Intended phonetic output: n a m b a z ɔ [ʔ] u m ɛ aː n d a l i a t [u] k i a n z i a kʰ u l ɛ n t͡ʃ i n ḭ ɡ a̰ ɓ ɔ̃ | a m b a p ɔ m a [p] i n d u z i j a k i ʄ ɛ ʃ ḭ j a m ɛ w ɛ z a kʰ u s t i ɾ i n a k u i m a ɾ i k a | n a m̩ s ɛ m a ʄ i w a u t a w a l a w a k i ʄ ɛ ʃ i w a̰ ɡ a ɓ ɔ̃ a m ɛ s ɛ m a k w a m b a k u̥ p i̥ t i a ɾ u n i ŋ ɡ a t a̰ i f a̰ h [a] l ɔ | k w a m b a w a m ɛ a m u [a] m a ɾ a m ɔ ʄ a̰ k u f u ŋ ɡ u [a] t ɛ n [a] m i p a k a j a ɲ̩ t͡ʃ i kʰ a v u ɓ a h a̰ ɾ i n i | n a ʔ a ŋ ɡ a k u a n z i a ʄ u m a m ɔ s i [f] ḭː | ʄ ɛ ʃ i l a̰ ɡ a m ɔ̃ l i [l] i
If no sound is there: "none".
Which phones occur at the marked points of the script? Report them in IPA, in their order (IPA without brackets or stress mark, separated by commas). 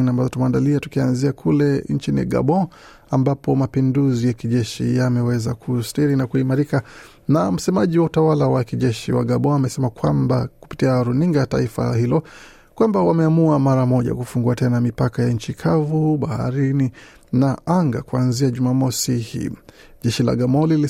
t, u, p, i, a, a, a, h, l